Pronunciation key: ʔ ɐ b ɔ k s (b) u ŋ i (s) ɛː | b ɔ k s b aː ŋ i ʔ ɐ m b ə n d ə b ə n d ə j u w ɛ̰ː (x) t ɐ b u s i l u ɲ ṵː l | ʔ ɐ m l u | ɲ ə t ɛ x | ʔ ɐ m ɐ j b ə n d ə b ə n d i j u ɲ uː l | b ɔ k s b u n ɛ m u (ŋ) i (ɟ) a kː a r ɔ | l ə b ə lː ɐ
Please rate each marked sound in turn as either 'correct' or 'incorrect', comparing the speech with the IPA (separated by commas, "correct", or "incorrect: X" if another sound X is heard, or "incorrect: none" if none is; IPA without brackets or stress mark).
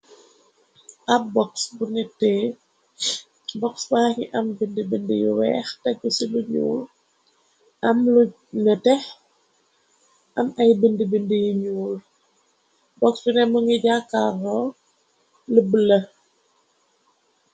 correct, incorrect: t, correct, correct, correct